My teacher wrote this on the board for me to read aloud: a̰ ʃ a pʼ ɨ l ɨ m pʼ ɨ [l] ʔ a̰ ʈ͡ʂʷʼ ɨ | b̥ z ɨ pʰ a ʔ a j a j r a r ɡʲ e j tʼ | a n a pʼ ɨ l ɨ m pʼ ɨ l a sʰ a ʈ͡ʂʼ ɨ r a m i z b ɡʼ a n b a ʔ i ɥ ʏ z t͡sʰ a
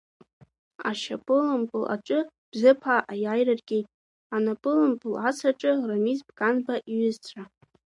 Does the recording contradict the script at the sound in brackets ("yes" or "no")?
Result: no